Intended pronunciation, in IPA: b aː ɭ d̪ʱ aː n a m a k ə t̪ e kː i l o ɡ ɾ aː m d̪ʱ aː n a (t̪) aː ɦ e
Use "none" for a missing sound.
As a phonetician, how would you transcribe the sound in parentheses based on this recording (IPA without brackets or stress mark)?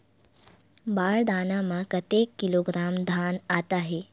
t̪